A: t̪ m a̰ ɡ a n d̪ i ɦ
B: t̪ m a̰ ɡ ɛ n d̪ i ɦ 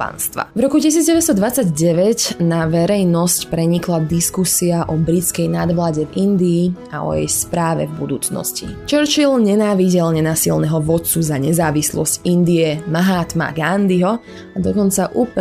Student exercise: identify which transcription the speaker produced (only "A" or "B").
A